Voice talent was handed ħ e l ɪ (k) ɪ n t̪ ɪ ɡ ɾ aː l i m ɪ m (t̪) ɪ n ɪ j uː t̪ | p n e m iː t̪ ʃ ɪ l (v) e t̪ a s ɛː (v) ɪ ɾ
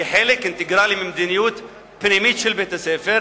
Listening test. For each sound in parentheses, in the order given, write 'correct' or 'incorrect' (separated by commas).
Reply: correct, incorrect, incorrect, incorrect